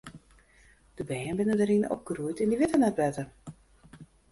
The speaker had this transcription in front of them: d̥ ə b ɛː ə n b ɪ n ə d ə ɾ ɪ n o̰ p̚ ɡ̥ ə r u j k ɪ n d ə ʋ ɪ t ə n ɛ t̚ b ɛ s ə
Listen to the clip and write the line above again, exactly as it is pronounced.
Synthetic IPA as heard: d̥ ə b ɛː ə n b ɪ n ə d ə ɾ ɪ n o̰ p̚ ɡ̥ ə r u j t ɪ n d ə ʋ ɪ t ə n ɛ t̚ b ɛ t ə